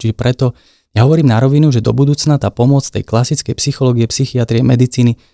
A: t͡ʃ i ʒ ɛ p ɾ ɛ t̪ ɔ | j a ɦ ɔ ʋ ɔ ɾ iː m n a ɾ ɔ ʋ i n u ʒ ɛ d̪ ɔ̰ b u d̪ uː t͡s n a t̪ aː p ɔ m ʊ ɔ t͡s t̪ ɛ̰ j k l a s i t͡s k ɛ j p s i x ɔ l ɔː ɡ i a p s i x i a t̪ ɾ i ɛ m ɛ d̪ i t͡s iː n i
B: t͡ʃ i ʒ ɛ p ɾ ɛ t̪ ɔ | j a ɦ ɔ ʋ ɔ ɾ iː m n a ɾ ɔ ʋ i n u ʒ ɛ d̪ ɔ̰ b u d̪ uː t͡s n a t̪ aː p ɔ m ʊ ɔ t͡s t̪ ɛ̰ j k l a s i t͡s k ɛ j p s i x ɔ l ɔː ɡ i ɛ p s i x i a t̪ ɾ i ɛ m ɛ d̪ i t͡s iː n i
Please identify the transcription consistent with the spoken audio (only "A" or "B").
B